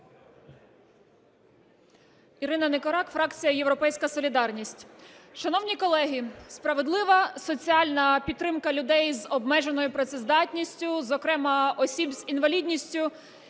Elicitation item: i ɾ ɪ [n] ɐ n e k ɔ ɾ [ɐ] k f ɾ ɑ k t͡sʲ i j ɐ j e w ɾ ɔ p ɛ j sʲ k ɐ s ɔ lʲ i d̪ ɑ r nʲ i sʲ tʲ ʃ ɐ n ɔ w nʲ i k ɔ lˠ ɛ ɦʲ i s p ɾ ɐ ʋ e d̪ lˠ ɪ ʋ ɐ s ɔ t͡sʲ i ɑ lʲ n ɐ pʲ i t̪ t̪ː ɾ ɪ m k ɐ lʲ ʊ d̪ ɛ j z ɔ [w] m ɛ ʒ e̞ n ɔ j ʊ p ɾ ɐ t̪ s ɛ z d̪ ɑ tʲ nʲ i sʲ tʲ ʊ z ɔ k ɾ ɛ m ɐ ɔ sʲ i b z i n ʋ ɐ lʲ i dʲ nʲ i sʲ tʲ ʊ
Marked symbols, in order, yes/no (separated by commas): yes, no, no